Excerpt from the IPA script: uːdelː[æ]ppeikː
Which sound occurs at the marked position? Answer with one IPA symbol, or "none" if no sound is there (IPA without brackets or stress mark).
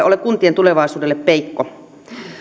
e